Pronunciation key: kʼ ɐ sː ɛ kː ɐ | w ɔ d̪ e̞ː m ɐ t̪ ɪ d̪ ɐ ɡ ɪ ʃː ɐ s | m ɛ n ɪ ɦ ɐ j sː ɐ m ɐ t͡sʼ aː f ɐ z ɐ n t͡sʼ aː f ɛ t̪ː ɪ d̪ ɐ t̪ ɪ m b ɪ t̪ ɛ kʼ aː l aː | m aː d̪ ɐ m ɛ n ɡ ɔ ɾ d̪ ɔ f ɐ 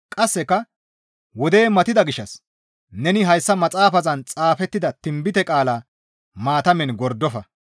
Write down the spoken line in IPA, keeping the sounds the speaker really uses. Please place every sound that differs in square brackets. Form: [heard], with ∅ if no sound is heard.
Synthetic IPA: kʼ ɐ sː ɛ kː ɐ | w ɔ d̪ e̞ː m ɐ t̪ ɪ d̪ ɐ ɡ ɪ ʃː ɐ s | [n] ɛ n ɪ ɦ ɐ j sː ɐ m ɐ t͡sʼ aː f ɐ z ɐ n t͡sʼ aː f ɛ t̪ː ɪ d̪ ɐ t̪ ɪ m b ɪ t̪ ɛ kʼ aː l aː | m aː [t̪] ɐ m ɛ n ɡ ɔ ɾ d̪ ɔ f ɐ